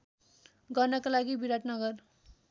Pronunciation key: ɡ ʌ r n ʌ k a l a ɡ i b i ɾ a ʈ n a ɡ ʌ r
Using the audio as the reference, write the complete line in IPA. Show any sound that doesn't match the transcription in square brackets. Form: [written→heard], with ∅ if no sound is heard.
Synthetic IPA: ɡ ʌ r n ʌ k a l a ɡ i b i ɾ a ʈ n [a→ʌ] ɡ ʌ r